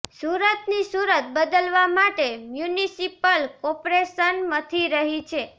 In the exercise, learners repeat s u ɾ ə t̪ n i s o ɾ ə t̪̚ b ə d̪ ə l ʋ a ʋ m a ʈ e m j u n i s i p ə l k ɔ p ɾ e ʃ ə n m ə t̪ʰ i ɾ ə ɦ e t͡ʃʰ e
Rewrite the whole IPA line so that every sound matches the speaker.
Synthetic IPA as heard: s u ɾ ə t̪ n i s u ɾ ə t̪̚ b ə d̪ ə l ʋ a m a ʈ e m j u n i s i p ə l k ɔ p ɾ e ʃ ə n m ə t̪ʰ i ɾ ə ɦ i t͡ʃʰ e

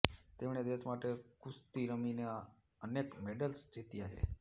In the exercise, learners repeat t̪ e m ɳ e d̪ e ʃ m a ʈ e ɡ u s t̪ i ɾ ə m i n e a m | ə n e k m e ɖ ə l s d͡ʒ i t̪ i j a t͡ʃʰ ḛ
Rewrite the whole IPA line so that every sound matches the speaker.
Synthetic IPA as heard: t̪ e m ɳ e d̪ e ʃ m a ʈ e k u s t̪ i ɾ ə m i n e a | ə n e k m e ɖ ə l s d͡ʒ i t̪ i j a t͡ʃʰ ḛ

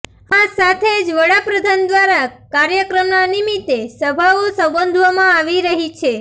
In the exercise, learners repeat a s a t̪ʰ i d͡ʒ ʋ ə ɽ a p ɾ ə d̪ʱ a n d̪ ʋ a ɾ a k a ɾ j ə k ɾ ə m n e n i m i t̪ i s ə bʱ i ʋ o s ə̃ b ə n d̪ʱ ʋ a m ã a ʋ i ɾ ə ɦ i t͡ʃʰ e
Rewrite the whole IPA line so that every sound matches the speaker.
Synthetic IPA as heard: a s a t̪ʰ e d͡ʒ ʋ ə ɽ a p ɾ ə d̪ʱ a n d̪ ʋ a ɾ a k a ɾ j ə k ɾ ə m n a n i m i t̪ e s ə bʱ a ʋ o s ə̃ b ə n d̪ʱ ʋ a m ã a ʋ i ɾ ə ɦ i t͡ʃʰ e

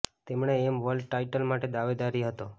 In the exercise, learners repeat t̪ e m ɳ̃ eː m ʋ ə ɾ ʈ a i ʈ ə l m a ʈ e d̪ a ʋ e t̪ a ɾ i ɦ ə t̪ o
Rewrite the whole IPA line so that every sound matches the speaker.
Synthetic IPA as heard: t̪ e m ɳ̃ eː m ʋ ə l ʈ a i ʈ ə l m a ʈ e d̪ a ʋ e d̪ a ɾ i ɦ ə t̪ o

